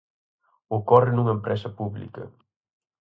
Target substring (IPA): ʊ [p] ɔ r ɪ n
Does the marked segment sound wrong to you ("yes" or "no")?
yes